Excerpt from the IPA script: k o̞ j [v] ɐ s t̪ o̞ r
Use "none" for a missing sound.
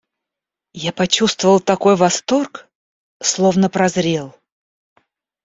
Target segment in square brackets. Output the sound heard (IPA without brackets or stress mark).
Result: v